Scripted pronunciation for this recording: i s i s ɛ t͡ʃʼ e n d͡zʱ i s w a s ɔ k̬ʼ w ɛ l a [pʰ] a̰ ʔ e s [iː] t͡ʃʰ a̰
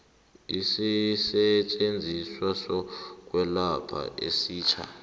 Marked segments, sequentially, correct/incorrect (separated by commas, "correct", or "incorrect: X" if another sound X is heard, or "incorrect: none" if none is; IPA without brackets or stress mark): correct, correct